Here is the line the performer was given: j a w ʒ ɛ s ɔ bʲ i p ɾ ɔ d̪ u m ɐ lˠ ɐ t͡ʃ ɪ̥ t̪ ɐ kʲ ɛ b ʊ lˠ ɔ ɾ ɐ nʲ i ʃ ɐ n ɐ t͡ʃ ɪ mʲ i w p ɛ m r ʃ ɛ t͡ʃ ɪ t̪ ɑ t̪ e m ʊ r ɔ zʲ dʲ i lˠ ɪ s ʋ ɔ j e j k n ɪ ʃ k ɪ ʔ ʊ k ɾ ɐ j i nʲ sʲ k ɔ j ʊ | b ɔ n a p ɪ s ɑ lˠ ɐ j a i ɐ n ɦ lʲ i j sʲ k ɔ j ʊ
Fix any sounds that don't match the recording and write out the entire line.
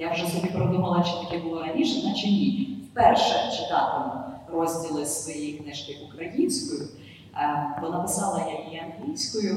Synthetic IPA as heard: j a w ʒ ɛ s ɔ bʲ i p ɾ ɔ d̪ u m ɐ lˠ ɐ t͡ʃ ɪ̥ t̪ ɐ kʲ ɛ b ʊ lˠ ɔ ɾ ɐ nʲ i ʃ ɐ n ɐ t͡ʃ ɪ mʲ i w p ɛ r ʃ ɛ t͡ʃ ɪ t̪ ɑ t̪ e m ʊ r ɔ zʲ dʲ i lˠ ɪ s ʋ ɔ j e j k n ɪ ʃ k ɪ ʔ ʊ k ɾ ɐ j i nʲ sʲ k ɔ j ʊ | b ɔ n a p ɪ s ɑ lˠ ɐ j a i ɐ n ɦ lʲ i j sʲ k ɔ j ʊ